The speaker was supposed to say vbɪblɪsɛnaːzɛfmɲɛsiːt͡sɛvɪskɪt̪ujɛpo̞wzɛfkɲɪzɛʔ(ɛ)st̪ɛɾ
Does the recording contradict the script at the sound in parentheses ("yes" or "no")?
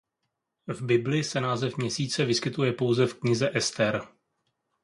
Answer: no